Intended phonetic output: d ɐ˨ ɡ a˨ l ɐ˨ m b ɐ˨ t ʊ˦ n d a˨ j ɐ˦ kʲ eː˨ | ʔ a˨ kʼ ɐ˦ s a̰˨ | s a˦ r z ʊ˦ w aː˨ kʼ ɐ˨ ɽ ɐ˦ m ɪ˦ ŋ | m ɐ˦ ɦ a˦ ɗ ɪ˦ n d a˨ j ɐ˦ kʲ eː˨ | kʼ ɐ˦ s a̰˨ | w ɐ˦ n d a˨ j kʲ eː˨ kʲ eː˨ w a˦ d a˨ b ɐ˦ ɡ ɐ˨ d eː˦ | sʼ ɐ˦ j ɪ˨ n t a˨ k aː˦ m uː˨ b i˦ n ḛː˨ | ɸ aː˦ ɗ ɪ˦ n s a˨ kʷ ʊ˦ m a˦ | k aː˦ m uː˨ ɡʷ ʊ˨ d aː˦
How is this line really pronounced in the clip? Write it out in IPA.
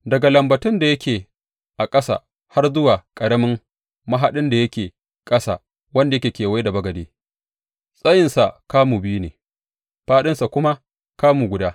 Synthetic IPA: d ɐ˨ ɡ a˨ l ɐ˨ m b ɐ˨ t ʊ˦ n d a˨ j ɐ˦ kʲ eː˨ | ʔ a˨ kʼ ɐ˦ s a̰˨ | h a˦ r z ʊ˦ w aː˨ kʼ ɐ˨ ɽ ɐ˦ m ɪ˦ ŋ | m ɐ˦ ɦ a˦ ɗ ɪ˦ n d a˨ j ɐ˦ kʲ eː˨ | kʼ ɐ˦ s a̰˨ | w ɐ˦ n d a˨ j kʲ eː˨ kʲ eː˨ w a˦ d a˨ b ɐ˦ ɡ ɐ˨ d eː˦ | sʼ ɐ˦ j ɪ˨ n s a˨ k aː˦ m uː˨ b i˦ n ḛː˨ | ɸ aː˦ ɗ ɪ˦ n s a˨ kʷ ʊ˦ m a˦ | k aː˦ m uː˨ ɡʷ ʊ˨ d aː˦